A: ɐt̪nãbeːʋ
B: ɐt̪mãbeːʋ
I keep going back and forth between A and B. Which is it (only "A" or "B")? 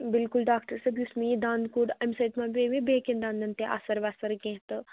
B